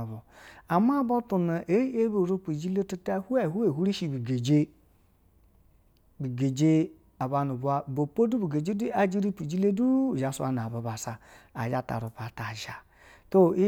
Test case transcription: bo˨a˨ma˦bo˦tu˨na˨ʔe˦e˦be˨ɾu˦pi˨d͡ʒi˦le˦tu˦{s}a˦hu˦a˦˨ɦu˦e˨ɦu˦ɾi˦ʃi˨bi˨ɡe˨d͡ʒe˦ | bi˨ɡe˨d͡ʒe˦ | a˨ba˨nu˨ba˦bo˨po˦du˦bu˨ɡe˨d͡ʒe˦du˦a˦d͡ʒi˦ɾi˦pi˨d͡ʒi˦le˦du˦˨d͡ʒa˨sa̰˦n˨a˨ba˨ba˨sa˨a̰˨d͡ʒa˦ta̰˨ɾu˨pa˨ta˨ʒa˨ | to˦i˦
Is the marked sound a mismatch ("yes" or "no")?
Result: yes